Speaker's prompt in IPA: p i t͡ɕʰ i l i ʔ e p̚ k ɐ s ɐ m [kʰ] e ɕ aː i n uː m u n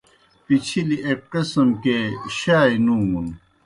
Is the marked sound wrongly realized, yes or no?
yes